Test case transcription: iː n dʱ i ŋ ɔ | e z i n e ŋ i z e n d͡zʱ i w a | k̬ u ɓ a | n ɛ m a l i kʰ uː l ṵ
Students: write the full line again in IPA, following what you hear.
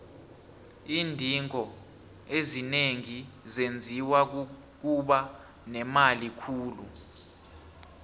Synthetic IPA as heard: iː n dʱ i ŋ ɔ | e z i n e ŋ i z e n d͡zʱ i w a | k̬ u ɓ a | n ɛ m a l i kʰ uː l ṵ